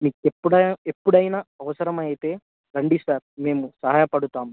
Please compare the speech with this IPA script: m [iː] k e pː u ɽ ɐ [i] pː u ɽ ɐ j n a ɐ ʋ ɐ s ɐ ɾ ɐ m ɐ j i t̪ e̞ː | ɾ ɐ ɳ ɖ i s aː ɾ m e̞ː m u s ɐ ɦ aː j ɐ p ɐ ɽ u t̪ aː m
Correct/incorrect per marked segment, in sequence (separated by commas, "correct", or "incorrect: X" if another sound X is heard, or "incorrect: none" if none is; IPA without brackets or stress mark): correct, incorrect: e